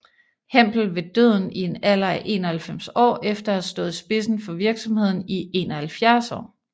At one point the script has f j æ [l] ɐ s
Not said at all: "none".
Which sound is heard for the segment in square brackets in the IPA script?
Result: none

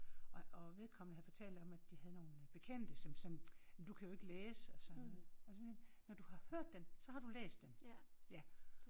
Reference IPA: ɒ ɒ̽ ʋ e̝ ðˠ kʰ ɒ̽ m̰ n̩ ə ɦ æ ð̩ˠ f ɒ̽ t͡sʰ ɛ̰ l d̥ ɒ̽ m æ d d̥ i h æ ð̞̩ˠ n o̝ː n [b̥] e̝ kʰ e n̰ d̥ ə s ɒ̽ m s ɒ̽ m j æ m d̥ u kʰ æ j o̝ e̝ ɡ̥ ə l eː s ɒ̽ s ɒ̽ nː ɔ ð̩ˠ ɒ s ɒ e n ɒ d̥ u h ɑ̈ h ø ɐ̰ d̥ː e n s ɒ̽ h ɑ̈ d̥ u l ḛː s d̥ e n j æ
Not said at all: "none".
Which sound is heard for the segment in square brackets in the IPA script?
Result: b̥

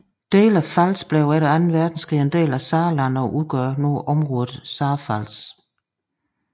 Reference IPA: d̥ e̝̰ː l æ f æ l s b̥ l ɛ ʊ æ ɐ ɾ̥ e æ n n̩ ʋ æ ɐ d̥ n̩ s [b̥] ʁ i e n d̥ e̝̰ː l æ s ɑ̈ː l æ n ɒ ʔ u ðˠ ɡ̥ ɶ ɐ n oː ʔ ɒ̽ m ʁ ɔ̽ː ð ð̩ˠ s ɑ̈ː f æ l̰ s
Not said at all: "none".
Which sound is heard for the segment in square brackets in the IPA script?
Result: ɡ̥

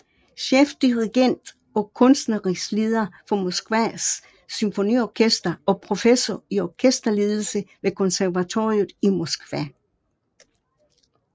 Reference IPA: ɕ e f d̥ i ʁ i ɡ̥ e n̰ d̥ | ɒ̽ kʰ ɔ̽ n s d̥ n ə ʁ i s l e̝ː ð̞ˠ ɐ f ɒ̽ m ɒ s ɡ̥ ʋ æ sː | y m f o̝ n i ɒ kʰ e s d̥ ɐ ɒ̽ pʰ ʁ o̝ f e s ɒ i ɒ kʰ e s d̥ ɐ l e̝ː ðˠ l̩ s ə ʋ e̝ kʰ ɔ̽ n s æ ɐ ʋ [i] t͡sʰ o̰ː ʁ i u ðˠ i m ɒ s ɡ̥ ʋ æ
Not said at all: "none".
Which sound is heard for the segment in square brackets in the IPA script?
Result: æ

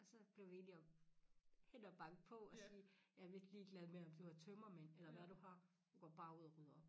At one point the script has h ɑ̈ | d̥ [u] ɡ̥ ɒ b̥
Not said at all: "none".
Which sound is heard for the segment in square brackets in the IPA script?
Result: u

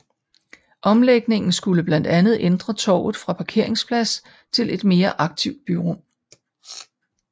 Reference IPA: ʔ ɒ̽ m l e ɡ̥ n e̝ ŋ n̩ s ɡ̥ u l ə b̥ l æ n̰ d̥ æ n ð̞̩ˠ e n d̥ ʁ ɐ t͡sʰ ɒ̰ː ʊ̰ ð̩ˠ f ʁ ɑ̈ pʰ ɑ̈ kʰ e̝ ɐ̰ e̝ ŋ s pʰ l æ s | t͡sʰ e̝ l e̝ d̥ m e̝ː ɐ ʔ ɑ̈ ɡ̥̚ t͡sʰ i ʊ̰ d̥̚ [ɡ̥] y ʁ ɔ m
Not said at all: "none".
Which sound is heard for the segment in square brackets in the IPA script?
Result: b̥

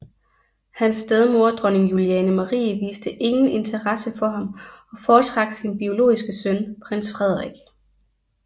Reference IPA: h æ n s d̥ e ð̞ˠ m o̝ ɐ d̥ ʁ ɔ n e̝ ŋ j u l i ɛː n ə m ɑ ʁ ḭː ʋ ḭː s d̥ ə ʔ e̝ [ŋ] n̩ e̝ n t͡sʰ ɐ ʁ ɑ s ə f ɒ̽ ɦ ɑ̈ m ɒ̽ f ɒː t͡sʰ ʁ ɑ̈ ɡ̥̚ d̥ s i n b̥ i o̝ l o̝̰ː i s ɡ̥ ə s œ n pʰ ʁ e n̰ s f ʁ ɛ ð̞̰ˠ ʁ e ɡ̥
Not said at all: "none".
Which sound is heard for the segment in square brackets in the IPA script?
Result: ŋ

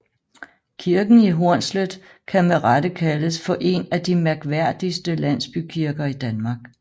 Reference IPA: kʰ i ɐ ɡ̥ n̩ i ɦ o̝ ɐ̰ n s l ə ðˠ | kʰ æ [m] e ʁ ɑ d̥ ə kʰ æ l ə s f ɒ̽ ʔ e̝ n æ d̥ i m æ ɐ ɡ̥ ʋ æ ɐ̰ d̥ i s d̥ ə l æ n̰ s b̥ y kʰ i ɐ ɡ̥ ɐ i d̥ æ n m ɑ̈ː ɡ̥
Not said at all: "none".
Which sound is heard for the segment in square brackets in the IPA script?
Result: m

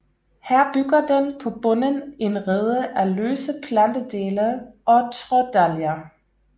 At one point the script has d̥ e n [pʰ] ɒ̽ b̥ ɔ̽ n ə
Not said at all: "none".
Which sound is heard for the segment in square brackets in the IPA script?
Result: pʰ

